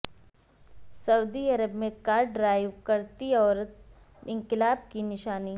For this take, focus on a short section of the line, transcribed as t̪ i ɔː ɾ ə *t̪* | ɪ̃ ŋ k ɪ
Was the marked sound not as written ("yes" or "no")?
no